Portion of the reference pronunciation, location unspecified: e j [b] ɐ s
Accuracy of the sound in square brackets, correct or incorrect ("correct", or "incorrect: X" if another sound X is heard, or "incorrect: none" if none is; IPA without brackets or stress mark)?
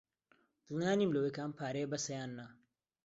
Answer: correct